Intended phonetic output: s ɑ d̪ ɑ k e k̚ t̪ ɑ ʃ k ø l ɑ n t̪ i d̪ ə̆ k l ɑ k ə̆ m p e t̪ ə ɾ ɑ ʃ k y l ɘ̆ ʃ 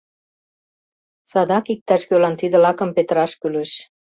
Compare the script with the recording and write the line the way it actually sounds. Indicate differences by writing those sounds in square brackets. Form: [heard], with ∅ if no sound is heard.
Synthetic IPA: s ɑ d̪ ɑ k [i] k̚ t̪ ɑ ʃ k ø l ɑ n t̪ i d̪ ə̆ [∅] l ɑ k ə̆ m p e t̪ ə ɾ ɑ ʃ k y l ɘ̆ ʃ